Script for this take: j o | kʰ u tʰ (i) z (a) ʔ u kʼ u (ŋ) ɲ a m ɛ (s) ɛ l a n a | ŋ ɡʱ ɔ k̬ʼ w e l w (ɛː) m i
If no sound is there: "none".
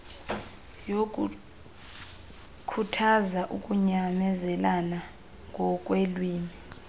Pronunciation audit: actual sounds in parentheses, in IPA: a, a, none, z, iː

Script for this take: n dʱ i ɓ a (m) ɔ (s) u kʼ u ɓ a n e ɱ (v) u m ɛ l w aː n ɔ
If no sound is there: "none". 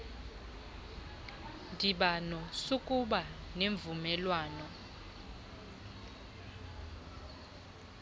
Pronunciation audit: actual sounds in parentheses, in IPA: n, s, v

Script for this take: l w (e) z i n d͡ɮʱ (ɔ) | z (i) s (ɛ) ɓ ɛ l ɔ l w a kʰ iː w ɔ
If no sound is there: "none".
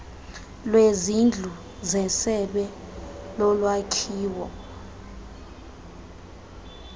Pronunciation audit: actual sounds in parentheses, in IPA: e, u, ɛ, ɛ

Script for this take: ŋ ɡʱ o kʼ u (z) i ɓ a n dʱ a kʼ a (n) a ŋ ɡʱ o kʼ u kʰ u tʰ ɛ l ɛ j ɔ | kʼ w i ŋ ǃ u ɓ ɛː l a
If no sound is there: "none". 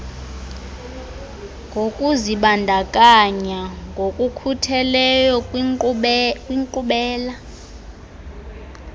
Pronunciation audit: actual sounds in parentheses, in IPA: z, ɲ

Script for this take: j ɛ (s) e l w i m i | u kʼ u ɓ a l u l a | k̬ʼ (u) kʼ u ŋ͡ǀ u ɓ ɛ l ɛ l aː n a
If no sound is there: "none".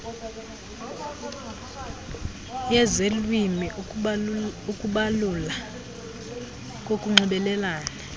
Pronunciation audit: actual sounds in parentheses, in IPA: z, o

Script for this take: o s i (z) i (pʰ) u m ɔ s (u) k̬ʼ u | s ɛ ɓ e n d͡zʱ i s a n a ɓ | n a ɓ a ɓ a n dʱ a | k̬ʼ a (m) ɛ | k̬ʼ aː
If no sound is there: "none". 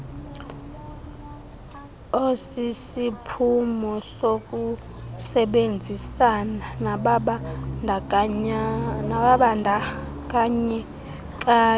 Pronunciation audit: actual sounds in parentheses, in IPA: s, pʰ, o, ɲ

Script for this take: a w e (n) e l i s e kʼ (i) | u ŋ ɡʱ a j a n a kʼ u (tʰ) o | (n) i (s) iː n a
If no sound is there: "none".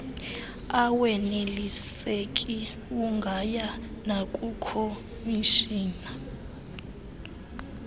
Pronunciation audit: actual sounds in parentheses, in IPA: n, i, kʰ, m, ʃ

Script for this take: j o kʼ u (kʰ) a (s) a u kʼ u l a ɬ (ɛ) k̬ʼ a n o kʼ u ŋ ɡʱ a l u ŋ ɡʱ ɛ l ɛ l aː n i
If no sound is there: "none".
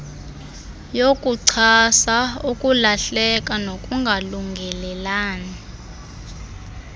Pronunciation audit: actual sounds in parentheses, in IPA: ǀʰ, s, ɛ

